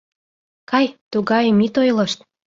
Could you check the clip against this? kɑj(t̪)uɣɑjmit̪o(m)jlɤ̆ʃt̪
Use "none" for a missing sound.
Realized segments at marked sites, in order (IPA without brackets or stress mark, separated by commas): t̪, none